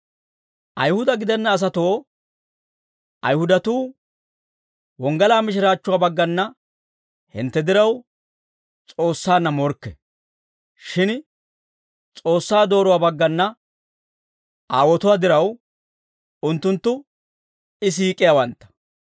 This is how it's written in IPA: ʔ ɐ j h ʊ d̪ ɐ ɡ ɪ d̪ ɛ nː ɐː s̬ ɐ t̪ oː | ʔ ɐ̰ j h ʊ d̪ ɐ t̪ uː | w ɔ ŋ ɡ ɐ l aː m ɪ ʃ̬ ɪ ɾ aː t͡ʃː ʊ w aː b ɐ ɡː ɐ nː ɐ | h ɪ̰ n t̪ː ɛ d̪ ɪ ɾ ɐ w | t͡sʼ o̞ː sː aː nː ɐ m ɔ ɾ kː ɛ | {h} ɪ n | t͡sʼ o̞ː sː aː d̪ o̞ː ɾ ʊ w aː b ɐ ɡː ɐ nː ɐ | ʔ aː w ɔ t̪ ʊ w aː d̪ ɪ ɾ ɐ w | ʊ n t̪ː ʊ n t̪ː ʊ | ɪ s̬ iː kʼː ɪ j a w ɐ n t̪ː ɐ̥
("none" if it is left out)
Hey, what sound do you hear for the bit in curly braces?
ʃ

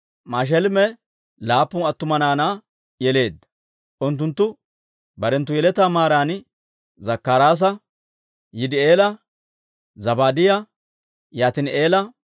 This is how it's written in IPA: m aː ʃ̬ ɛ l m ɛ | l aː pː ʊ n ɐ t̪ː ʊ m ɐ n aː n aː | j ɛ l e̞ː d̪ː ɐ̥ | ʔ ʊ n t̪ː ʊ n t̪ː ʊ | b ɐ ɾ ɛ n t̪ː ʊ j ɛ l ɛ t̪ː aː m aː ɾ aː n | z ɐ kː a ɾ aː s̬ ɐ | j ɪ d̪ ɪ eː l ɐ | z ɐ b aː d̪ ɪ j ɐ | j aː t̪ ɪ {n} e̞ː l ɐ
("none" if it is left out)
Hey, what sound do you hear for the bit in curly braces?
n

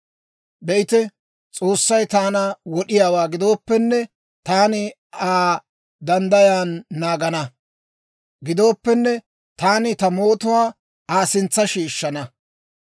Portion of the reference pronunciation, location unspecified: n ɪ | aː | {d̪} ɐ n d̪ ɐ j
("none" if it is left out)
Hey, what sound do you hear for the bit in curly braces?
d̪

